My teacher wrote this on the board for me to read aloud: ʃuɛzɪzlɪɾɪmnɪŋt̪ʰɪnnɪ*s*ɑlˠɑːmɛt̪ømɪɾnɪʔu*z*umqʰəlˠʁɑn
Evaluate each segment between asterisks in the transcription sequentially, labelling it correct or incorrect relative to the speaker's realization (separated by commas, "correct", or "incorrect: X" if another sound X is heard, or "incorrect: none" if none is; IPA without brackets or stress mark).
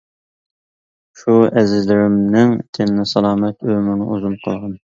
correct, correct